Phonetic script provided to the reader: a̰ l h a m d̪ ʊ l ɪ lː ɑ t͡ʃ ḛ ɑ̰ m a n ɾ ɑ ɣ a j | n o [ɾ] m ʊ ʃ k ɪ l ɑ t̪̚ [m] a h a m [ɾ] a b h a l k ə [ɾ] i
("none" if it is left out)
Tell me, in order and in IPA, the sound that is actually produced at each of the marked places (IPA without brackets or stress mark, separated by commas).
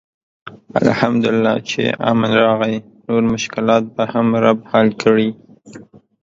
ɾ, b, ɾ, ɽ